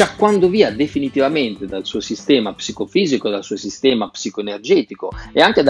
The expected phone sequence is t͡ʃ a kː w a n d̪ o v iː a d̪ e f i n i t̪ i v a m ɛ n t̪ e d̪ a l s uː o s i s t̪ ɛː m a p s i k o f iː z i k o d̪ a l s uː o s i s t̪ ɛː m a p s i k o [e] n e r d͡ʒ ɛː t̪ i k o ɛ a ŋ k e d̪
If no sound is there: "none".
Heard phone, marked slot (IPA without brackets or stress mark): e